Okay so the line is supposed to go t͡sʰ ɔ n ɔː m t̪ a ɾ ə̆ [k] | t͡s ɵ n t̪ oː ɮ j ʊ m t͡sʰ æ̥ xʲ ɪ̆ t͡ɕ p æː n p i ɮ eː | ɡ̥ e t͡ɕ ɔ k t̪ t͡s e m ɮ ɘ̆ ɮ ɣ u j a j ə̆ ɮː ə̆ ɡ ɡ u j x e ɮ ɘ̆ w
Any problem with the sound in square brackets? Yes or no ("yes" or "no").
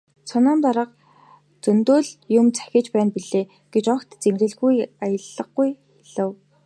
yes